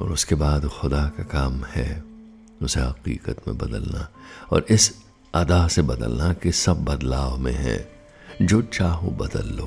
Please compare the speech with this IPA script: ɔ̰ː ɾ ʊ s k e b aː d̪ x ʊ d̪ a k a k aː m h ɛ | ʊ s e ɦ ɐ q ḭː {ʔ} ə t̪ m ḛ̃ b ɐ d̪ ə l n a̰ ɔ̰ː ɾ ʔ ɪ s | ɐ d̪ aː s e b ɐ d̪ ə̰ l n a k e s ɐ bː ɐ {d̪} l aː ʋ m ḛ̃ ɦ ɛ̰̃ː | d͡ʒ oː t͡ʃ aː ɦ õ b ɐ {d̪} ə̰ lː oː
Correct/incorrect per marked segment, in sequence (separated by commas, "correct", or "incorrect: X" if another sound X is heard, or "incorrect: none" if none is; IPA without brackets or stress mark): incorrect: q, correct, correct